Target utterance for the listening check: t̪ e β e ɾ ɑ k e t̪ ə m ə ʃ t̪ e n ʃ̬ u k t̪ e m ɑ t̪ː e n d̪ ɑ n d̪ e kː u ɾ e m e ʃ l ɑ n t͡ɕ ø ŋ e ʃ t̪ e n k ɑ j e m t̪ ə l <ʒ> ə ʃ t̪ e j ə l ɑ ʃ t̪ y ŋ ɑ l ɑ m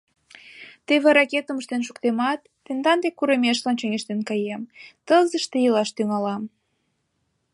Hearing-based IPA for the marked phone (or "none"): z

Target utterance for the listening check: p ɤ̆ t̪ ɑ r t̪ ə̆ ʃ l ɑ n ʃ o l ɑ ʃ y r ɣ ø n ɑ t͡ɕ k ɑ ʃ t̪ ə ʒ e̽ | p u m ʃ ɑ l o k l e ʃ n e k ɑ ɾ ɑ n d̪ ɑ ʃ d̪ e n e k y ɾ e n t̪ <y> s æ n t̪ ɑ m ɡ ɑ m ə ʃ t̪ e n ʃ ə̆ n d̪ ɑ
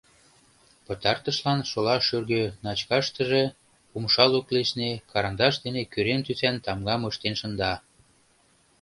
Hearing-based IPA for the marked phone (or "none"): y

